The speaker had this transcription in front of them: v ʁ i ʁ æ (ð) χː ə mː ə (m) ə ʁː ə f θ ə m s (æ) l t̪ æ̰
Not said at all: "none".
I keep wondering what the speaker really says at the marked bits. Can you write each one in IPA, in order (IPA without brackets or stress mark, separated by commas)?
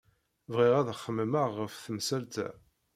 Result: ð, m, æ